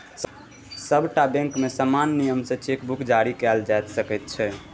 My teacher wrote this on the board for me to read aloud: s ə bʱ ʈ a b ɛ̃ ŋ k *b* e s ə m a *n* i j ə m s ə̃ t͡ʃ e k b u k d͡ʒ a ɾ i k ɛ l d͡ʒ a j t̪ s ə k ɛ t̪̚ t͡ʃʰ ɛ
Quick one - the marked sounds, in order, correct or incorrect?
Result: incorrect: m, incorrect: nː

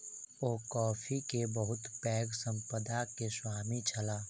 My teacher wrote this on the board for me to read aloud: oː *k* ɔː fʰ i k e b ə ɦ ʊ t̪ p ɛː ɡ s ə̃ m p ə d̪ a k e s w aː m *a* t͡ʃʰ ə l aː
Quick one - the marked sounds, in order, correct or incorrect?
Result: correct, incorrect: i

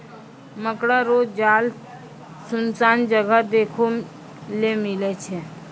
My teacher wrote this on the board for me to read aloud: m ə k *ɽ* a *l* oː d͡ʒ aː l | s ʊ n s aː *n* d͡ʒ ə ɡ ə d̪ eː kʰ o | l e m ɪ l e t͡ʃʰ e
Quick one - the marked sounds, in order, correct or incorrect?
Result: correct, incorrect: ɾ, correct

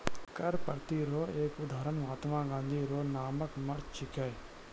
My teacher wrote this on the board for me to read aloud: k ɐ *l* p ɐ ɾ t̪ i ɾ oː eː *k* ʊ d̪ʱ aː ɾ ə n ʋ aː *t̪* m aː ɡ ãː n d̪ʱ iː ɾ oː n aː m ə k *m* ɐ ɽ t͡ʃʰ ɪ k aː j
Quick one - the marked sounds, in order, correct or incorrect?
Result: incorrect: ɾ, correct, correct, correct

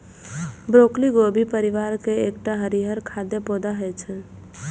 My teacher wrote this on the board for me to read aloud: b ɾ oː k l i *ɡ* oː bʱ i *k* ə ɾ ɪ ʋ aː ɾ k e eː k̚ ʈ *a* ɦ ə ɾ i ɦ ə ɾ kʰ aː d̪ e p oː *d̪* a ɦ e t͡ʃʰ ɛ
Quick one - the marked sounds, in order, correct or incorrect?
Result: correct, incorrect: p, correct, correct

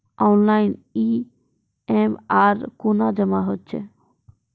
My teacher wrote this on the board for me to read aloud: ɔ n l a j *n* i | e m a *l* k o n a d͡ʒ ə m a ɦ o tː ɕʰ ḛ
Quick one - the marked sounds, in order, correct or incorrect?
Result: correct, incorrect: ɾ

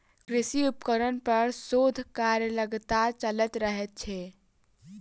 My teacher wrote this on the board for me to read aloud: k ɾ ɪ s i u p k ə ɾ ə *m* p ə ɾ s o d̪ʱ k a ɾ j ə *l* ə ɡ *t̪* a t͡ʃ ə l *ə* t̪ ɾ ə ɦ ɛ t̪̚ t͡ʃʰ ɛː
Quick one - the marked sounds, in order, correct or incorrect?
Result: incorrect: n, correct, correct, correct

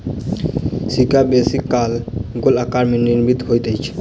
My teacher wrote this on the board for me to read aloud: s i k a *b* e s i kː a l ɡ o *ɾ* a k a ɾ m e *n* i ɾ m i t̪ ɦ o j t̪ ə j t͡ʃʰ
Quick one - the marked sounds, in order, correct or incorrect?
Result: correct, incorrect: l, correct

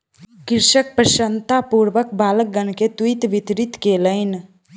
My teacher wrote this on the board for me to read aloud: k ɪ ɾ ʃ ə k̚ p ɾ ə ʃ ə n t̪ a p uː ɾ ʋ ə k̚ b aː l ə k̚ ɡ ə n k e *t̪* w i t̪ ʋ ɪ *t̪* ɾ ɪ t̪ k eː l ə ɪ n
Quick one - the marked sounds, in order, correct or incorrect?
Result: correct, correct

